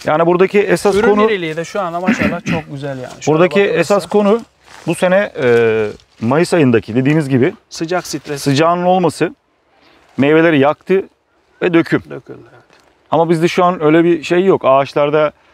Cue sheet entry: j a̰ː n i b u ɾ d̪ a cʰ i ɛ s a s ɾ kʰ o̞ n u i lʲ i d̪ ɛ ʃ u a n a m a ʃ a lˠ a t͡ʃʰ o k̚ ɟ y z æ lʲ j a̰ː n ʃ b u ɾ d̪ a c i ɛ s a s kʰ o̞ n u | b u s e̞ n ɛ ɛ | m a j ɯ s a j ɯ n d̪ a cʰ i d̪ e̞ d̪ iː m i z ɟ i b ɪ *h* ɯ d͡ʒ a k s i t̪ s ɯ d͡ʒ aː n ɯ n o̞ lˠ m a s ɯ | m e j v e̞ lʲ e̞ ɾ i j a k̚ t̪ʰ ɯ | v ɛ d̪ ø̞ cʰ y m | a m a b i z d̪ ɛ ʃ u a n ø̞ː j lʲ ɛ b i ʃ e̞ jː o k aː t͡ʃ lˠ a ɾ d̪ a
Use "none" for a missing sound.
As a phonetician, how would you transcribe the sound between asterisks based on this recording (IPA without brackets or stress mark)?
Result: s